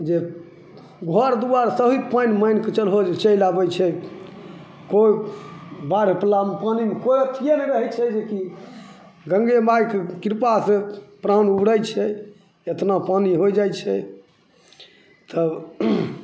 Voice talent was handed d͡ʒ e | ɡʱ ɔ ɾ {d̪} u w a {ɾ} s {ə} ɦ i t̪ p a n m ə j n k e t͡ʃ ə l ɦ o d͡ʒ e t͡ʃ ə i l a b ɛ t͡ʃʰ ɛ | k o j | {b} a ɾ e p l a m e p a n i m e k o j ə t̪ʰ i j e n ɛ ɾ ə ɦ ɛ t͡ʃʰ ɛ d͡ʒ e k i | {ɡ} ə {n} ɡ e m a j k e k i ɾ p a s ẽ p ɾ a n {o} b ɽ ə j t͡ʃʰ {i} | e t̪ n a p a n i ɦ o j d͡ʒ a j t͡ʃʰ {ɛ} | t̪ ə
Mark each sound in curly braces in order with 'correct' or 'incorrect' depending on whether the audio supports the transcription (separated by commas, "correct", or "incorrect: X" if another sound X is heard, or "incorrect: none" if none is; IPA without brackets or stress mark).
correct, correct, correct, correct, correct, incorrect: ŋ, incorrect: u, incorrect: ɛ, correct